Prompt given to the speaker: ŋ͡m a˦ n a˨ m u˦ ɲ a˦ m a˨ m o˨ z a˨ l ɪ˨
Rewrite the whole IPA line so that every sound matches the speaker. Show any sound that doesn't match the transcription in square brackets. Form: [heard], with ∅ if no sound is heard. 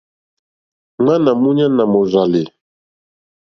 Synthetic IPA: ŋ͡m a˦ n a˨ m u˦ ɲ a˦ [n] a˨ m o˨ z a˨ l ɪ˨